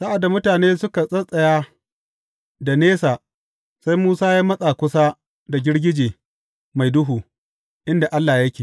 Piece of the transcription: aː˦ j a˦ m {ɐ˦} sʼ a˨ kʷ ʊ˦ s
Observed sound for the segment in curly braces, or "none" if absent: ɐ˦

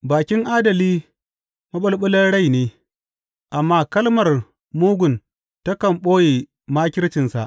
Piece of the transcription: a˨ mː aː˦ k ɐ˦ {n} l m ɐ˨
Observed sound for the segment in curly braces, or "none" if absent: none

